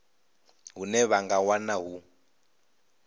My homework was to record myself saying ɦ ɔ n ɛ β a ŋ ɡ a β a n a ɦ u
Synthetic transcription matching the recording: ɦ u n ɛ β a ŋ ɡ a w a n a ɦ u